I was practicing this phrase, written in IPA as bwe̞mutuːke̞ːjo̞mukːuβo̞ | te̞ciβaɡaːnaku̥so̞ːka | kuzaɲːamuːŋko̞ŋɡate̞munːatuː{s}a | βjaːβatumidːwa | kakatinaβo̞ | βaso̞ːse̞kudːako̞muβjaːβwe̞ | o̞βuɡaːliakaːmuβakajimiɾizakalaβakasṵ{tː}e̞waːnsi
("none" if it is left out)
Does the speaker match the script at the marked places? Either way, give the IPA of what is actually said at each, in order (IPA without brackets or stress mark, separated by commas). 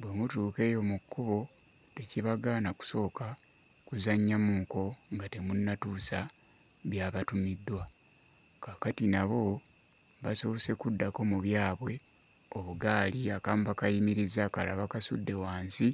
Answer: s, dː